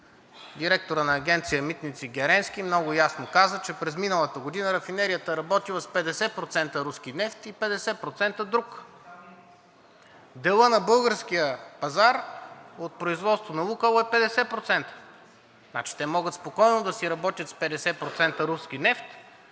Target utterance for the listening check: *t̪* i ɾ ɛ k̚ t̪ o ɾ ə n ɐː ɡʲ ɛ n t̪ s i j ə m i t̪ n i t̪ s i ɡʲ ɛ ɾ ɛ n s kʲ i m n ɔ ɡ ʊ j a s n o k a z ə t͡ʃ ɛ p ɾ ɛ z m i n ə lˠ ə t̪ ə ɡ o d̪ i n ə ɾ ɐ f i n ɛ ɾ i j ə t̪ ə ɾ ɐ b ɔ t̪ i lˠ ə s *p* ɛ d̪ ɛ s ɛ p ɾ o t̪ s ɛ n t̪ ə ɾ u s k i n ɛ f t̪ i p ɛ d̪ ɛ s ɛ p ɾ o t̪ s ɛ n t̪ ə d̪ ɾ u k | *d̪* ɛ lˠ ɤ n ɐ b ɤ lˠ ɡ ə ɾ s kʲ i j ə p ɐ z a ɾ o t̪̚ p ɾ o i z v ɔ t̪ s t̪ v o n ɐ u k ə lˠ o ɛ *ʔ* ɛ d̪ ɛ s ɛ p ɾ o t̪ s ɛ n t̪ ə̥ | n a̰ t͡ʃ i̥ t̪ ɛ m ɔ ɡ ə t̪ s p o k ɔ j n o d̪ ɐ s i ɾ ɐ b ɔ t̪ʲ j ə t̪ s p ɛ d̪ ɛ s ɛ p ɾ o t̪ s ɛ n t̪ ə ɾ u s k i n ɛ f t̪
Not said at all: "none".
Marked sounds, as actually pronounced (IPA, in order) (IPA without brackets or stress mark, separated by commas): d̪, p, d̪, p